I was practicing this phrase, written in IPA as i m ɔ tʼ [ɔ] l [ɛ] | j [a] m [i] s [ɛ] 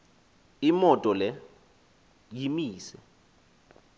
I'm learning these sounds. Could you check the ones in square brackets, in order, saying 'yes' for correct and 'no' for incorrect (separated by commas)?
yes, yes, no, no, yes